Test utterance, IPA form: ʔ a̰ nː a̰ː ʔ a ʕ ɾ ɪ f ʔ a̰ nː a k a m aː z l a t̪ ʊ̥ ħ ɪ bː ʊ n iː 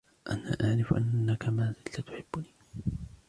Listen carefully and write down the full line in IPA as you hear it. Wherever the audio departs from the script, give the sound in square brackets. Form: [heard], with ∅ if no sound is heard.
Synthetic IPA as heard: ʔ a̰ [n] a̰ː ʔ a ʕ ɾ ɪ f ʔ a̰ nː a k a m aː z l a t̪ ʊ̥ ħ ɪ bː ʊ n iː

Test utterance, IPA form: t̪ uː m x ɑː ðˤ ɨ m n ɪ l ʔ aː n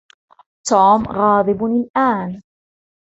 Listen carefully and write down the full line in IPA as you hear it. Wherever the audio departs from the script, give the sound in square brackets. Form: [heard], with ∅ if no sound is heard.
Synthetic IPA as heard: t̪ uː m [ɣ] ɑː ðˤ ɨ [b] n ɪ l ʔ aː n

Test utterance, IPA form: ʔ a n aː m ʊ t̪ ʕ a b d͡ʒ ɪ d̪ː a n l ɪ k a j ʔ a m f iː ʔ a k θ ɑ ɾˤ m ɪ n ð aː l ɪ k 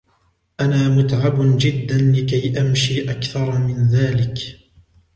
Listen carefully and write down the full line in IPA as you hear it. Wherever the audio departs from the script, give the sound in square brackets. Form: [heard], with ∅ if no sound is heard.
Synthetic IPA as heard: ʔ a n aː m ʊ t̪ ʕ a b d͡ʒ ɪ d̪ː a n l ɪ k a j ʔ a m [ʃ] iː ʔ a k θ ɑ ɾˤ m ɪ n ð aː l ɪ k

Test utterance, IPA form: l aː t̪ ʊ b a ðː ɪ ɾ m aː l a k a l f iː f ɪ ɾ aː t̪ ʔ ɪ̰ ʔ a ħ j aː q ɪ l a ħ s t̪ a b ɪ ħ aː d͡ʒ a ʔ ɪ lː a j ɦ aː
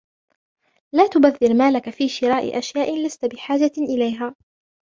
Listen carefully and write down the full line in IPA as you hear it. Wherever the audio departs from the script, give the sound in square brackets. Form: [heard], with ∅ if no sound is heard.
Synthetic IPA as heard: l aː t̪ ʊ b a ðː ɪ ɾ m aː l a k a [∅] f iː [ʃ] ɪ ɾ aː [∅] ʔ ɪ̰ ʔ a [ʃ] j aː [ʔ] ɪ l a [∅] s t̪ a b ɪ ħ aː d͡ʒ a ʔ ɪ [l] a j ɦ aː

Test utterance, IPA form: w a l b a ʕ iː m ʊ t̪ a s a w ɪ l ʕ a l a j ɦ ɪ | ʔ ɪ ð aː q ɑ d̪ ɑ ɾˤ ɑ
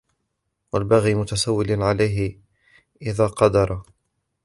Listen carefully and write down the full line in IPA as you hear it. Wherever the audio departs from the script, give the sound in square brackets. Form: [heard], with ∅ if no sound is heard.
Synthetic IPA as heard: w a l b a [ɣ] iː m ʊ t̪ a s a [wː] ɪ l ʕ a l a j ɦ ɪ | ʔ ɪ ð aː q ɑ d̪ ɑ ɾˤ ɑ

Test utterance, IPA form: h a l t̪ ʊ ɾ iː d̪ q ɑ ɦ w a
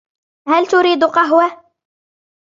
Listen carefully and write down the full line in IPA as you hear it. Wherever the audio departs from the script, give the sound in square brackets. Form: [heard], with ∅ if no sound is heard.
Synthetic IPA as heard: h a l t̪ ʊ ɾ iː d̪ q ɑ ɦ w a

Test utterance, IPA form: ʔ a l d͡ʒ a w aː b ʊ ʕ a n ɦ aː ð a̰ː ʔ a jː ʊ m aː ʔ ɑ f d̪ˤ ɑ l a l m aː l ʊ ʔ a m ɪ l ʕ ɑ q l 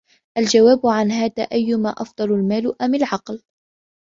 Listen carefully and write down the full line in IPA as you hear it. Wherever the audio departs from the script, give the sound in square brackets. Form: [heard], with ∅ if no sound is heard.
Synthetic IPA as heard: ʔ a l d͡ʒ a w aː b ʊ ʕ a n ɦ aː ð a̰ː ʔ a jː ʊ m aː ʔ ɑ f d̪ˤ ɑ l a l m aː l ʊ ʔ a m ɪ l ʕ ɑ q l

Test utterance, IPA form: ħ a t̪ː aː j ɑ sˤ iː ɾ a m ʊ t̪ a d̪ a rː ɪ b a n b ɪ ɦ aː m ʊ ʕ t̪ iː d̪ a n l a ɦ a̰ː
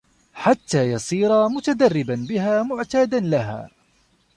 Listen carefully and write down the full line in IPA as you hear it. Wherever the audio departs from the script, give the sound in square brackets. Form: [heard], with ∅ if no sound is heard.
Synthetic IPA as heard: ħ a t̪ː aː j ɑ sˤ iː ɾ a m ʊ t̪ a d̪ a rː ɪ b a n b ɪ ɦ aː m ʊ ʕ t̪ [aː] d̪ a n l a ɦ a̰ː

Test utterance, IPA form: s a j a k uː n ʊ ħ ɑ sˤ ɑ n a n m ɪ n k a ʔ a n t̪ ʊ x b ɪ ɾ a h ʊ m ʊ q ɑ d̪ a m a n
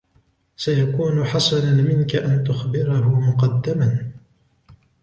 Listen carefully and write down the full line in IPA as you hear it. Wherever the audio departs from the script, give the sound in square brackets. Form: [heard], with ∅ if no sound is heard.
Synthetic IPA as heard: s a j a k uː n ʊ ħ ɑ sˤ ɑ n a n m ɪ n k a ʔ a n t̪ ʊ x b ɪ ɾ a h ʊ m ʊ q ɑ [d̪ː] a m a n

